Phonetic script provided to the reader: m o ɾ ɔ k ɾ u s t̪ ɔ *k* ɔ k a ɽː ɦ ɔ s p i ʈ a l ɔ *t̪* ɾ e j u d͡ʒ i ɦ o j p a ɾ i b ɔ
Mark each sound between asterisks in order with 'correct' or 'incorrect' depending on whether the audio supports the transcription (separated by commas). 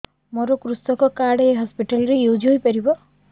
correct, incorrect